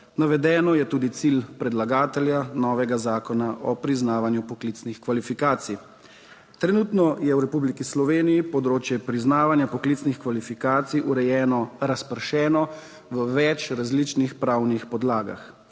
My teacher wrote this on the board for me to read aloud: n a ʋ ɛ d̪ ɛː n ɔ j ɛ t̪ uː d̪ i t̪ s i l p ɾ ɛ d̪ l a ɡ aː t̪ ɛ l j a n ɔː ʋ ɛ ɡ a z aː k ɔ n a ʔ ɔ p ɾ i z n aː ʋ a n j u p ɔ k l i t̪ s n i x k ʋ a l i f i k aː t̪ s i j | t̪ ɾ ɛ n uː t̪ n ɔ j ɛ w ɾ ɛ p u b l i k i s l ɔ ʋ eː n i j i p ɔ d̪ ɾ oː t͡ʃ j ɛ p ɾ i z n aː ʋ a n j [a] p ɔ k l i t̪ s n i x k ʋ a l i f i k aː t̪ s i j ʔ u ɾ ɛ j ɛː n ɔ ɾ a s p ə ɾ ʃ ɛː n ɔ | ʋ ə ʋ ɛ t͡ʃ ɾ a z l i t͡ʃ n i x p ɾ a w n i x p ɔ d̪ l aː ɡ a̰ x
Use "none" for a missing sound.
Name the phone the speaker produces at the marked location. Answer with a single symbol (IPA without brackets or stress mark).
a